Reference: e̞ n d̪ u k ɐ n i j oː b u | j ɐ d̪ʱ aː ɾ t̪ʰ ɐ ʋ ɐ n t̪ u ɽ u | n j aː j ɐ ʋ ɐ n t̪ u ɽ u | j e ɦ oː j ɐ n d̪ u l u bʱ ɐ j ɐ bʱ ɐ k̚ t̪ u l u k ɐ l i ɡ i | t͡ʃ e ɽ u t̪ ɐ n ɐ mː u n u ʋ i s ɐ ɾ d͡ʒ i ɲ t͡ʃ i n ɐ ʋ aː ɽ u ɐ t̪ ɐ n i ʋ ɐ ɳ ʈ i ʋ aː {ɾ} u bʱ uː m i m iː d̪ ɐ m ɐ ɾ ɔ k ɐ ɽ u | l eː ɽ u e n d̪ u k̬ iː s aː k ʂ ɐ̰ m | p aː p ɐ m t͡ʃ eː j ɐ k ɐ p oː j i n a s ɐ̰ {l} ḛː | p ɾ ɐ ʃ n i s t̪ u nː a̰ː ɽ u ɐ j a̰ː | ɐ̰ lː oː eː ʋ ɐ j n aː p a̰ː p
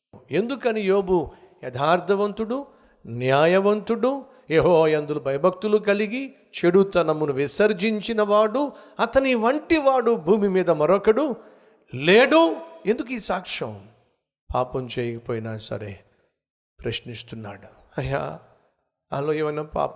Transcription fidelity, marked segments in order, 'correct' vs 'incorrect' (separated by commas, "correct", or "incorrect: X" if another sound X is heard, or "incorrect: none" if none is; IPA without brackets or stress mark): incorrect: ɽ, incorrect: ɾ